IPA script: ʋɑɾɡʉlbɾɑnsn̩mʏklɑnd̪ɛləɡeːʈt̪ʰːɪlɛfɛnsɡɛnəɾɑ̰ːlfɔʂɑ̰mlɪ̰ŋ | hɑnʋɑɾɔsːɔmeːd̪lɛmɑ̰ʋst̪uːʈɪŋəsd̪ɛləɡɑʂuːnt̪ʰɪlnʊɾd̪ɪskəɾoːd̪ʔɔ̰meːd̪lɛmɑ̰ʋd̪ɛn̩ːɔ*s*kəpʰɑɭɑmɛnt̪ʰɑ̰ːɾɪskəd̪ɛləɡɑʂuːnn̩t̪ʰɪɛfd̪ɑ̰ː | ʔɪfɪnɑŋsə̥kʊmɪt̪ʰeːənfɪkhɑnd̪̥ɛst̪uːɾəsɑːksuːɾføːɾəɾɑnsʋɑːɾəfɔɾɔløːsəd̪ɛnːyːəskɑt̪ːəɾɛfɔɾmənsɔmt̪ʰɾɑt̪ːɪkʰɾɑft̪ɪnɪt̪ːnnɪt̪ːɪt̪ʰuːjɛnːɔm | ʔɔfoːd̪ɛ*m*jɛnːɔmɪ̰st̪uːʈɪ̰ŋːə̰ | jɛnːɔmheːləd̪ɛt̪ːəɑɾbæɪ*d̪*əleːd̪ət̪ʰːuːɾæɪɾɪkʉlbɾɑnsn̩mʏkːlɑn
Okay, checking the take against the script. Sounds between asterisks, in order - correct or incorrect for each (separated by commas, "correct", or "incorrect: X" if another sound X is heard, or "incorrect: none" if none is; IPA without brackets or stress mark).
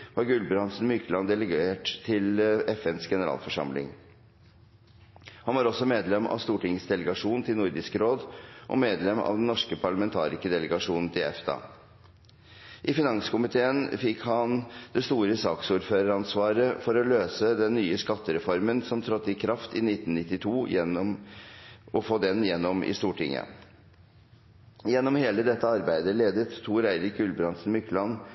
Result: incorrect: ʂ, incorrect: n, correct